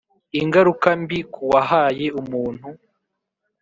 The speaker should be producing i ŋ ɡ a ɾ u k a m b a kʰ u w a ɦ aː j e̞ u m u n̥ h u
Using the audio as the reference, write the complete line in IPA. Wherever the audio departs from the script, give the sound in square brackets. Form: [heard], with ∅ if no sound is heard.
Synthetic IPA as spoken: i ŋ ɡ a ɾ u k a m b [i] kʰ u w a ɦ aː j e̞ u m [uː] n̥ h u